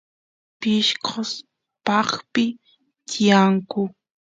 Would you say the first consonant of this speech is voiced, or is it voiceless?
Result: voiceless